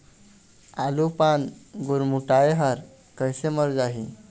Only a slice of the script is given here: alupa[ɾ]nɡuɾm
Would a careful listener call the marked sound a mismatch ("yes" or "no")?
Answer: yes